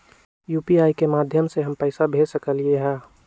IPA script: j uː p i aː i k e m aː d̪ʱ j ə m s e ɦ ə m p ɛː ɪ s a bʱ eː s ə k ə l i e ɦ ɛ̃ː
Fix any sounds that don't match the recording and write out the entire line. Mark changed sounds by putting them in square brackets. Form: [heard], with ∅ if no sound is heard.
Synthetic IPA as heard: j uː p i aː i k e m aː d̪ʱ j ə m s e ɦ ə m p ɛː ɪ s a bʱ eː s ə k ə l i e ɦ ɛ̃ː